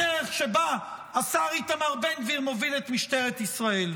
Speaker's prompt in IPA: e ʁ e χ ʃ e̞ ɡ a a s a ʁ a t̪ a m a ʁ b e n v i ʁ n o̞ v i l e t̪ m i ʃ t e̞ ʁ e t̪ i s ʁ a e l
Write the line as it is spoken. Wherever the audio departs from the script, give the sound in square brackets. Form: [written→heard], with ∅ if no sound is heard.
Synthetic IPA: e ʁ e χ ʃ e̞ [ɡ→b] a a s a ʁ [a→i] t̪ a m a ʁ b e n v i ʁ [n→m] o̞ v i l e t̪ m i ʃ t e̞ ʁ e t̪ i s ʁ a e l